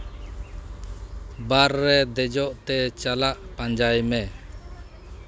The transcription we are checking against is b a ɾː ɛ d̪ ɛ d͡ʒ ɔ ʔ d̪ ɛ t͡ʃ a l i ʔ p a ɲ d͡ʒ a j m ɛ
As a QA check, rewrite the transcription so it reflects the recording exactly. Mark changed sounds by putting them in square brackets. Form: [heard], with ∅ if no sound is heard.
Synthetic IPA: b a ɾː ɛ d̪ ɛ d͡ʒ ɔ ʔ [t̪] ɛ t͡ʃ a l [a] ʔ p a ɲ d͡ʒ a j m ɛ